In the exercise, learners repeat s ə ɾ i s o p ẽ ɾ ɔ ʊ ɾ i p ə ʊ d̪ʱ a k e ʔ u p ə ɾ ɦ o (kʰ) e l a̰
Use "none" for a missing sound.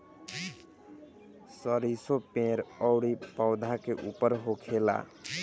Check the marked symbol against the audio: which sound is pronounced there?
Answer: kʰ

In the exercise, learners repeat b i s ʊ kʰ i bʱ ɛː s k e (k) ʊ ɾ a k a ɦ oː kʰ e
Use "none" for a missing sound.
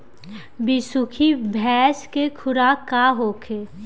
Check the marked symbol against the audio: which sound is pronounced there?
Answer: kʰ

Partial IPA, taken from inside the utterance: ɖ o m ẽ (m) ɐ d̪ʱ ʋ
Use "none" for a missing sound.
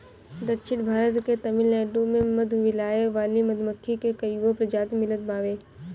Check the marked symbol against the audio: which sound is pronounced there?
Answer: m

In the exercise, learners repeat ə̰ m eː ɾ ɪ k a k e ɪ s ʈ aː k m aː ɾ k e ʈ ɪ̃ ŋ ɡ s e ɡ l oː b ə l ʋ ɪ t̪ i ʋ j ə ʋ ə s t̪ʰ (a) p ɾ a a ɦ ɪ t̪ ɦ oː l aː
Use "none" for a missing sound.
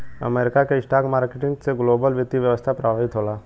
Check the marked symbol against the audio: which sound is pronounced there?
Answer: a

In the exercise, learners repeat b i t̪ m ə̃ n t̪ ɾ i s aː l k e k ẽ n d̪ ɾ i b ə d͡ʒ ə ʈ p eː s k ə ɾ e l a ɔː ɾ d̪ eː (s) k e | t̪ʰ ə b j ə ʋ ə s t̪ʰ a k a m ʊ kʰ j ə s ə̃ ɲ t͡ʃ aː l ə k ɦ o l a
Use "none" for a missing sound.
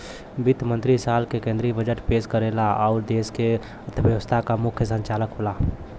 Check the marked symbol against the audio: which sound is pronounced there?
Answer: s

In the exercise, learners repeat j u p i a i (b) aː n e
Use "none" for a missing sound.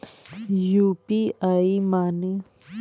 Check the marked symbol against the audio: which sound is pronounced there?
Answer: m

